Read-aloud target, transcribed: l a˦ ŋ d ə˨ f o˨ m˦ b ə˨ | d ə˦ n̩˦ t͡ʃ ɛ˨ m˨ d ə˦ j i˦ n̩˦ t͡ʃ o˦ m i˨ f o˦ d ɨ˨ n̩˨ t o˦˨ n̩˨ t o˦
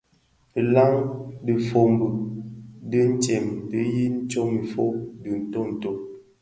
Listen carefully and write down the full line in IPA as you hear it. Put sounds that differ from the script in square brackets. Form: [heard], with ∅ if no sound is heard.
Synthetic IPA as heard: l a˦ ŋ d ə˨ f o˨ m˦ b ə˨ | d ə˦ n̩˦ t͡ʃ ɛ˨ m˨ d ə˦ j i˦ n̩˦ t͡ʃ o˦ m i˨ f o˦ d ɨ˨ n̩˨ t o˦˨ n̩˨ t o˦